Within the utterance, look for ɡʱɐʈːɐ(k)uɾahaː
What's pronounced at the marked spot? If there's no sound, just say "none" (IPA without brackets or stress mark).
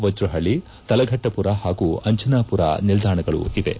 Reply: p